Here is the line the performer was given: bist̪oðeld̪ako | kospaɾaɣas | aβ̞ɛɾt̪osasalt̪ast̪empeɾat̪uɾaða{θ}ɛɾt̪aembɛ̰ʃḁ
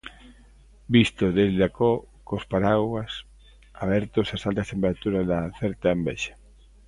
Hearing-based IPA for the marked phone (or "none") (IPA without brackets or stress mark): θ